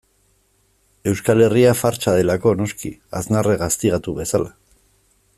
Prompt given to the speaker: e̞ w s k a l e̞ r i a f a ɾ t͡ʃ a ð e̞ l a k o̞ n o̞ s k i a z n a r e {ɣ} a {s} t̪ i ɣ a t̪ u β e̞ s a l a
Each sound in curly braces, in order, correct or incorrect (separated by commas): correct, correct